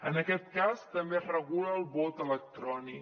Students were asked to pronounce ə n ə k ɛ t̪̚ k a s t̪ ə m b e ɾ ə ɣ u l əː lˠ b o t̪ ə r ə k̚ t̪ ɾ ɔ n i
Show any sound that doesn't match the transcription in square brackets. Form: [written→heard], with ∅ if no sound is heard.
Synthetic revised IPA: ə n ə k ɛ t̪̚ k a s t̪ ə m b e [ɾ→r] ə ɣ u l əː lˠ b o t̪ ə [r→l] ə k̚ t̪ ɾ ɔ n i